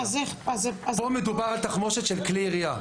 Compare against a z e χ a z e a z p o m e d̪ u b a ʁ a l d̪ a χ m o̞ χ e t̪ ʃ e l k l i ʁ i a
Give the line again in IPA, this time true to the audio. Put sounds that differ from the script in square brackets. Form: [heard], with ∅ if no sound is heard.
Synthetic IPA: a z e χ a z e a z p o m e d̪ u b a ʁ a l [t̪] a χ m o̞ [ʃ] e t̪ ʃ e l k l i ʁ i a